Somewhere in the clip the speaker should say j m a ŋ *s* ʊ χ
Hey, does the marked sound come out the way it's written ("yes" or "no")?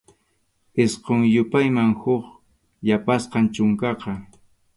no